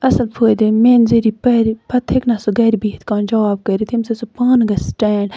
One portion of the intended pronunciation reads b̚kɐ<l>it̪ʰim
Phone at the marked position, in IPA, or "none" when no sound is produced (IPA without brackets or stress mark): ɾ